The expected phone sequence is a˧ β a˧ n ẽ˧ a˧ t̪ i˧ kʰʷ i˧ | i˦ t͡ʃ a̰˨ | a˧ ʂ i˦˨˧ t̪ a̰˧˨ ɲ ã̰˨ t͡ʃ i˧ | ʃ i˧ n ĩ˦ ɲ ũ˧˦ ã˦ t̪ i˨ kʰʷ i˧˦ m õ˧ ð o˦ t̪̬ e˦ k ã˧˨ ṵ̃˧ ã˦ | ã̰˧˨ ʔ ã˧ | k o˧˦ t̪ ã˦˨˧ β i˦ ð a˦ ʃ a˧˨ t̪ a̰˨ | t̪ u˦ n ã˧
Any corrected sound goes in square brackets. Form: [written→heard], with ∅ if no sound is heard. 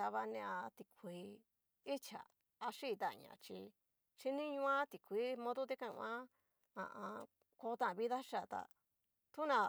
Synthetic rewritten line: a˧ β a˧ n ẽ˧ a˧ t̪ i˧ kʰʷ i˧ | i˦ t͡ʃ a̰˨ | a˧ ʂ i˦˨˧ t̪ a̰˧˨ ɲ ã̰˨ t͡ʃ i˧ | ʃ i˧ n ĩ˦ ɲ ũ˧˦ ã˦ t̪ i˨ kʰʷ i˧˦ m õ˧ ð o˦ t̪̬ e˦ k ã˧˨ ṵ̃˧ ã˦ | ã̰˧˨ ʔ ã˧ | k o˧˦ t̪ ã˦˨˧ β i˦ ð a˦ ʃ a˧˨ t̪ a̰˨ | t̪ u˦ n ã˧